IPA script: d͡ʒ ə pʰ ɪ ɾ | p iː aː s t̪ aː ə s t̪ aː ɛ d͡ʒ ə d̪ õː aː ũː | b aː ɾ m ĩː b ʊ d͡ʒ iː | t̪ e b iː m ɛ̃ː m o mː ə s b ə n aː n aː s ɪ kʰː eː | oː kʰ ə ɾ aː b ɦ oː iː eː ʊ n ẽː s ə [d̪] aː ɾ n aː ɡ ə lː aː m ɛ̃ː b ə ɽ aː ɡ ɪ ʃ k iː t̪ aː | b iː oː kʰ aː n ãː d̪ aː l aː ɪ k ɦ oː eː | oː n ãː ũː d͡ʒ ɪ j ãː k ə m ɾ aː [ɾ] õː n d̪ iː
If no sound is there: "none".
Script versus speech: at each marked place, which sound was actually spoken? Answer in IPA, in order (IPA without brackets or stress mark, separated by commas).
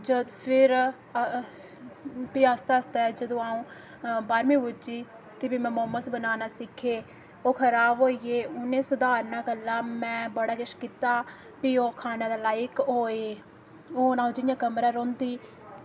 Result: d̪, ɾ